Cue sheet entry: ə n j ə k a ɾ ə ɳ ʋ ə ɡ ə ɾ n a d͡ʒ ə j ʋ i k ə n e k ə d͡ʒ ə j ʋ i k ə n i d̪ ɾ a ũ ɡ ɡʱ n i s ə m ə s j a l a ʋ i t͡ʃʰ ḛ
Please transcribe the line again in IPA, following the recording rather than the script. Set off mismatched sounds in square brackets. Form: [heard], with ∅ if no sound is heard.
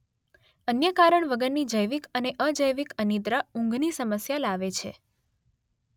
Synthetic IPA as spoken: ə n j ə k a ɾ ə ɳ ʋ ə ɡ ə ɾ n [i] d͡ʒ ə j ʋ i k ə n e [ʔ] ə d͡ʒ ə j ʋ i k ə n i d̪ ɾ a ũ [ŋ] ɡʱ n i s ə m ə s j a l a ʋ [e] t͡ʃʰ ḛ